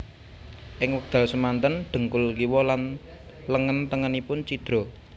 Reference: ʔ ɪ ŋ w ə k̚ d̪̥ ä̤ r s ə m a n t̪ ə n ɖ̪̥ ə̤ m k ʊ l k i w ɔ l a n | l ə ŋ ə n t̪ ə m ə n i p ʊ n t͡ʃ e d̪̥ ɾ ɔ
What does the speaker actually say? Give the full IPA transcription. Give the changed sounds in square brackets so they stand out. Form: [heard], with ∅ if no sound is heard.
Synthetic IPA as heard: ʔ ɪ ŋ w ə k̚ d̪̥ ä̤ [l] s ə m a n t̪ ə n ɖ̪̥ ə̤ [ŋ] k ʊ l k i w ɔ l a n | l ə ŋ ə n t̪ ə [ŋ] ə n i p ʊ n t͡ʃ [i] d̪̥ ɾ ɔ

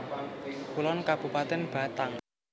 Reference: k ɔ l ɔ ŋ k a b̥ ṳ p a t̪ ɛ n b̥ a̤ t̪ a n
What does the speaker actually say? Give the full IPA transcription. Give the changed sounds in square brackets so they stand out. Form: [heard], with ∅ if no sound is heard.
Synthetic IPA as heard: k [u] l ɔ [n] k a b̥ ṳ p a t̪ ɛ n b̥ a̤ t̪ a [ŋ]

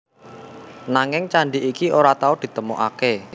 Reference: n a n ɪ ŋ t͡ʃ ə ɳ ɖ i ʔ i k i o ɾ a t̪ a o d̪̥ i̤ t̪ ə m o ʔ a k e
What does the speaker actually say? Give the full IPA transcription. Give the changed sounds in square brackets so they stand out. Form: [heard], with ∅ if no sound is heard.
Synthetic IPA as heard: n a [ŋ] ɪ ŋ t͡ʃ [a] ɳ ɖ i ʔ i k i o ɾ a t̪ a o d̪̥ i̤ t̪ ə m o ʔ a k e

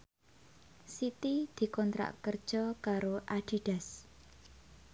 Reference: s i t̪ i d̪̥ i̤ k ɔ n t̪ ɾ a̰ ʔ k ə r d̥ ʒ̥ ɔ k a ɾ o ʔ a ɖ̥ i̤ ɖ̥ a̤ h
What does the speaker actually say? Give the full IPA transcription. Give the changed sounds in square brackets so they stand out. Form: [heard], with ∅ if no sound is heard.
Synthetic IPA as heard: s i t̪ i d̪̥ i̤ k ɔ n t̪ ɾ a̰ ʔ k ə r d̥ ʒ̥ ɔ k a ɾ o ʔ a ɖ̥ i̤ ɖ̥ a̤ [s]

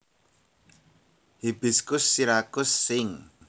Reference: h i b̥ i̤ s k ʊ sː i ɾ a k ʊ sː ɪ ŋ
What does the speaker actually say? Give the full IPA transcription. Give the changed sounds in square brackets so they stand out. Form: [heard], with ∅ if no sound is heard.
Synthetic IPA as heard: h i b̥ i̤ s k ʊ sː i ɾ a k ʊ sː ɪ ŋ

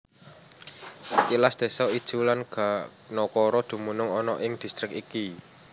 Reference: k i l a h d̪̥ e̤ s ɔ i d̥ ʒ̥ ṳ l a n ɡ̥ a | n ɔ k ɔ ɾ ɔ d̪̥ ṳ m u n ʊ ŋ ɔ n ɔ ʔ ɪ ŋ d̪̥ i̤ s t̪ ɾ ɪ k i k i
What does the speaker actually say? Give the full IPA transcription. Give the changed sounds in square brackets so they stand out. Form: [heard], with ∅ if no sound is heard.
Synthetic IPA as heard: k i l a [s] d̪̥ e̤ s ɔ i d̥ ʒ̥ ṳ l a n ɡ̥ a | n ɔ k ɔ ɾ ɔ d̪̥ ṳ m u n ʊ ŋ ɔ n ɔ ʔ ɪ ŋ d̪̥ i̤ s t̪ ɾ ɪ k i k i

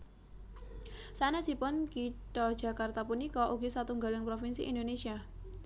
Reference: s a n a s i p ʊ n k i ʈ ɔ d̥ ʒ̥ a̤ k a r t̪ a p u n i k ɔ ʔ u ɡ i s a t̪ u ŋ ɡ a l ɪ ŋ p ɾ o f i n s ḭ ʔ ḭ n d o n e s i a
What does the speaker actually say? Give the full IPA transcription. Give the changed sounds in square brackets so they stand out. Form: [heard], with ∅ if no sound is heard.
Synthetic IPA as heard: s a n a s i p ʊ n k i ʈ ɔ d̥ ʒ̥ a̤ k a r t̪ a p u n i k ɔ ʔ u ɡ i s a t̪ u ŋ ɡ a l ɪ ŋ p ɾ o f i n s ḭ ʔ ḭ n d o n e s i a

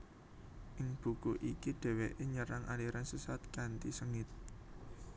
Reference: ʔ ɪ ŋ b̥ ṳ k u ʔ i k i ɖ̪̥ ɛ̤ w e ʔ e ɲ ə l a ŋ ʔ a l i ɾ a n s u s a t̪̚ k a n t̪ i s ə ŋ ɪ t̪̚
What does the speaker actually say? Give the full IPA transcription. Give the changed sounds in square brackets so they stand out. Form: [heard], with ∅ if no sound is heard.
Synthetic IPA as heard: ʔ ɪ ŋ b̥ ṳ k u ʔ i k i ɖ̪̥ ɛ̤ w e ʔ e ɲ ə [ɾ] a ŋ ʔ a l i ɾ a n s u s a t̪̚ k a n t̪ i s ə ŋ ɪ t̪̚

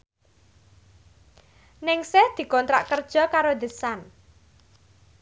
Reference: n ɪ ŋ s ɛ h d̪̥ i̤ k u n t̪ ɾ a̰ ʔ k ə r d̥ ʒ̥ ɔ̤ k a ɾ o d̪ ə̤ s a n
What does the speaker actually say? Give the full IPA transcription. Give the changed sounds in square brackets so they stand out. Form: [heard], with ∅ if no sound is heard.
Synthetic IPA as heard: n ɪ ŋ s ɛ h d̪̥ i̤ k [ɔ] n t̪ ɾ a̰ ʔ k ə r d̥ ʒ̥ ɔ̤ k a ɾ o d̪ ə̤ s a n

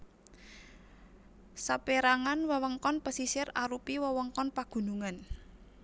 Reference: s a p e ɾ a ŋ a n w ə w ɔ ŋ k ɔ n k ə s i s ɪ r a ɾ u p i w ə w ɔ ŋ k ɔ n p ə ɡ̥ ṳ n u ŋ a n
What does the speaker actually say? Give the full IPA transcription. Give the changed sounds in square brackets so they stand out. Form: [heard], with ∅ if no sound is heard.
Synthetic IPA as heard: s a p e ɾ a ŋ a n w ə w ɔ ŋ k ɔ n [p] ə s i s ɪ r a ɾ u p i w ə w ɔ ŋ k ɔ n p [a] ɡ̥ ṳ n u ŋ a n

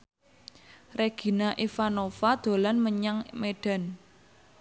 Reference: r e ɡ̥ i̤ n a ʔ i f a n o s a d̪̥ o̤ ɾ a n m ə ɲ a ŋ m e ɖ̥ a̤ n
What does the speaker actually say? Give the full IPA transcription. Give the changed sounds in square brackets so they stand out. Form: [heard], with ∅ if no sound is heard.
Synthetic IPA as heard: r e ɡ̥ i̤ n a ʔ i f a n o [f] a d̪̥ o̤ [l] a n m ə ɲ a ŋ m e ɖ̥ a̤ n

